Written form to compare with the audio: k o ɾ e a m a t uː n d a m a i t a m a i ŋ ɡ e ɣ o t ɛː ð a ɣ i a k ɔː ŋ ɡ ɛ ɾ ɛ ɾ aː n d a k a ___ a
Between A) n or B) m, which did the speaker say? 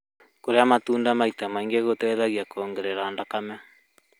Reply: B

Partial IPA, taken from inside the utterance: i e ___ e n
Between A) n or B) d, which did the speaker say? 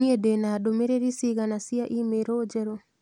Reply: B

